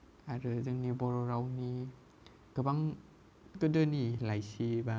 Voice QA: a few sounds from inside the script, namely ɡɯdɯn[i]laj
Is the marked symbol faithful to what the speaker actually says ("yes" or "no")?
yes